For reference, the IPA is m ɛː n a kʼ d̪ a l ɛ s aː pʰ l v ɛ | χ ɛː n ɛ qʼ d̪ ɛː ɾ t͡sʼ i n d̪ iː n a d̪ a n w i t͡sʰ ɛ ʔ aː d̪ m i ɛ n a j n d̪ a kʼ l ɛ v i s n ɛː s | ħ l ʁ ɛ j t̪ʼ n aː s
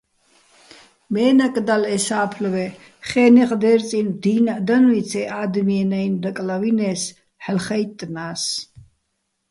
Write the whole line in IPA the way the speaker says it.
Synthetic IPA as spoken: m ɛː n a kʼ d̪ a l ɛ s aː pʰ l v ɛ | χ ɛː n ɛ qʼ d̪ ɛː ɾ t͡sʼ i n d̪ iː n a d̪ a n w i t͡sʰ ɛ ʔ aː d̪ m i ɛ n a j n d̪ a kʼ l a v i n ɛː s | ħ l χ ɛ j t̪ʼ n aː s